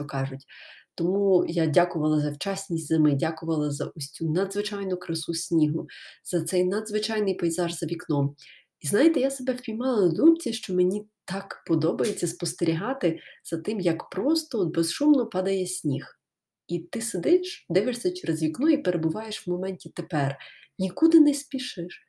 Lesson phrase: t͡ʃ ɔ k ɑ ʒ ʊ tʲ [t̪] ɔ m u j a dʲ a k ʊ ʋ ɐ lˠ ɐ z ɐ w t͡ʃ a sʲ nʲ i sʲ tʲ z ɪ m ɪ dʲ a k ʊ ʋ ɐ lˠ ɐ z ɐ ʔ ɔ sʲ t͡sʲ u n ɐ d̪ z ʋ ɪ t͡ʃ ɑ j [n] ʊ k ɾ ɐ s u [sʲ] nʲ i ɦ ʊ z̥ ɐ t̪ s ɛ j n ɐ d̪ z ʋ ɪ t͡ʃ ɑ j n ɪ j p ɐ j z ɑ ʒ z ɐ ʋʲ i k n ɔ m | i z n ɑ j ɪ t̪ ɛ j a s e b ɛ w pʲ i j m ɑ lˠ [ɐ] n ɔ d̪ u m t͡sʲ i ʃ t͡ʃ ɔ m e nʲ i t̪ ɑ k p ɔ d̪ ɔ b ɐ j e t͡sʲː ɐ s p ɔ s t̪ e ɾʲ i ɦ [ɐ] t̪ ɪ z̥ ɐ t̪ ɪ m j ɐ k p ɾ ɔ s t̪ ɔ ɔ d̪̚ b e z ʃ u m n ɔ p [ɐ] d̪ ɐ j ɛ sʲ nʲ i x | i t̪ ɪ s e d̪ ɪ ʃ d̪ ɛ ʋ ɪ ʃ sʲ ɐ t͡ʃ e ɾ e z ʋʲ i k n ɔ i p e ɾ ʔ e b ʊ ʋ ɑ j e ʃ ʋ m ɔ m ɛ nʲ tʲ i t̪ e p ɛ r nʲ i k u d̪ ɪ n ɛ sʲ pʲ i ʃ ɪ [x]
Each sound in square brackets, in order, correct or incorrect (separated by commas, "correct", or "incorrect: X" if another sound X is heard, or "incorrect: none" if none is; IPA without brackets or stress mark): correct, correct, correct, correct, incorrect: ɑ, incorrect: ɑ, incorrect: ʃ